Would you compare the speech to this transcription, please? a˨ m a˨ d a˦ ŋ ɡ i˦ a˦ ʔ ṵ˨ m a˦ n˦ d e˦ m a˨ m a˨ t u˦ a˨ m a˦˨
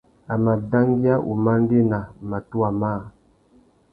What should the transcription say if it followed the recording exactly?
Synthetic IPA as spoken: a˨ m a˨ d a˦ ŋ ɡ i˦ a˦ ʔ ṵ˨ m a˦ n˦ d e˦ n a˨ m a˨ t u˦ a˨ m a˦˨